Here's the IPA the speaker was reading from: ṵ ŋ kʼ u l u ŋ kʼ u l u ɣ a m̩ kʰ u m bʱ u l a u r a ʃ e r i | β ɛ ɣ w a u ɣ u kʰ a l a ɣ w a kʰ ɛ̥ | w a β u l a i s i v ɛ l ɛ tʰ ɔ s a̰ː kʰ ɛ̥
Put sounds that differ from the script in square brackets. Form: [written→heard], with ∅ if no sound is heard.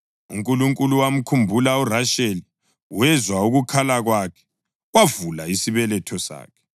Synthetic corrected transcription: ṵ ŋ kʼ u l u ŋ kʼ u l u [ɣ→w] a m̩ kʰ u m bʱ u l a u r a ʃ e [r→l] i | [β→w] ɛ [ɣ→z] w a u ɣ u kʰ a l a ɣ w a kʰ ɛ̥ | w a [β→v] u l a i s i [v→β] ɛ l ɛ tʰ ɔ s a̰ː kʰ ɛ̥